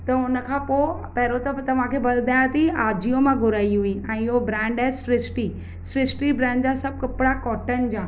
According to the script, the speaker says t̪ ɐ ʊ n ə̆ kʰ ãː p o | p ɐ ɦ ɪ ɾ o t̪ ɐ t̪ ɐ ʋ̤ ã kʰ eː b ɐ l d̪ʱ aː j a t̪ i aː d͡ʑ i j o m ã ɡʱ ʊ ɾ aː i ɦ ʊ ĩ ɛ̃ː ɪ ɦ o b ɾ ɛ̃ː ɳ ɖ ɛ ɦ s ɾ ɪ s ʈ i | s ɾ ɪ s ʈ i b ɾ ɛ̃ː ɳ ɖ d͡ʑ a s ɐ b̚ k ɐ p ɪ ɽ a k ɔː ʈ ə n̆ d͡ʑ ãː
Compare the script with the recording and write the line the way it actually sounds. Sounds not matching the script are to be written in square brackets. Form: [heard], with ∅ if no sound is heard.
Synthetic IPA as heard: t̪ ɐ ʊ n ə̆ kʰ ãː p o | p ɐ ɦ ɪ ɾ o t̪ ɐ t̪ ɐ ʋ̤ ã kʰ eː b ɐ l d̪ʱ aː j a t̪ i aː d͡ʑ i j o m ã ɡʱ ʊ ɾ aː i ɦ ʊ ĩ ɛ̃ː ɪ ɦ o b ɾ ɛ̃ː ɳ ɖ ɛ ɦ s ɾ ɪ s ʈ i | s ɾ ɪ s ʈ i b ɾ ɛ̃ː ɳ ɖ d͡ʑ a s ɐ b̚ k ɐ p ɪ ɽ a k ɔː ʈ ə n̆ d͡ʑ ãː